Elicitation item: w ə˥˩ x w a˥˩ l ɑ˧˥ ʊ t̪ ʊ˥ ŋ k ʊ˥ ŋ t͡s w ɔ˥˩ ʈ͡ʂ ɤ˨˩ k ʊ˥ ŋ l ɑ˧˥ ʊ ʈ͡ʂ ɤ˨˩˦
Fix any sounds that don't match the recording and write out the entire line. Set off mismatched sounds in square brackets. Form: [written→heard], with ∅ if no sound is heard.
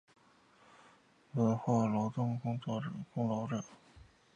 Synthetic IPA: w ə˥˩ x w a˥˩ l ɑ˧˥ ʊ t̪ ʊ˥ ŋ k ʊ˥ ŋ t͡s w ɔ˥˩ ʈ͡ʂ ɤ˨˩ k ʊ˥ ŋ l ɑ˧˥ ʊ ʈ͡ʂ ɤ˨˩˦